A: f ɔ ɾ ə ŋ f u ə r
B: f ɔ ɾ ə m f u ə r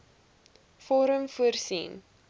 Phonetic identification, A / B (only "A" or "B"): B